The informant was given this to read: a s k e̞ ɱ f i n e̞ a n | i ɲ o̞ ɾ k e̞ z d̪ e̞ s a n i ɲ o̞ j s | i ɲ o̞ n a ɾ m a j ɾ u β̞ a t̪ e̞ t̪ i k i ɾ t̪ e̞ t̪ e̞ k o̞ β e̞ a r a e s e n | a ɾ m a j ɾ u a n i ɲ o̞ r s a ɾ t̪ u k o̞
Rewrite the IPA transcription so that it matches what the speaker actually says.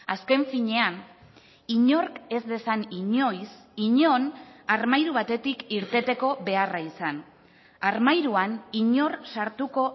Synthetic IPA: a s k e̞ ɱ f i ɲ e̞ a n | i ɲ o̞ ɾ k e̞ z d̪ e̞ s a n i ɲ o̞ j s | i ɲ o̞ n a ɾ m a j ɾ u β̞ a t̪ e̞ t̪ i k i ɾ t̪ e̞ t̪ e̞ k o̞ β e̞ a r a i s a n | a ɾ m a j ɾ u a n i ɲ o̞ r s a ɾ t̪ u k o̞